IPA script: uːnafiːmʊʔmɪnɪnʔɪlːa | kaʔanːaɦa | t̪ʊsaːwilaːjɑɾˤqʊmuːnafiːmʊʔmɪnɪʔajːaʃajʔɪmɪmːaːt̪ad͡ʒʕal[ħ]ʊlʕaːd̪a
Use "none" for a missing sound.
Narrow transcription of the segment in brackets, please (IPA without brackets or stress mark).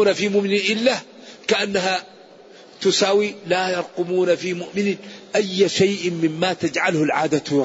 h